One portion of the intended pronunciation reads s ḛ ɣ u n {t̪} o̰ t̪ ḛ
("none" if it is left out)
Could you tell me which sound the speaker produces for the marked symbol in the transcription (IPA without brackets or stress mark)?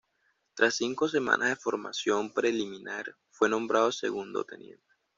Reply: d̪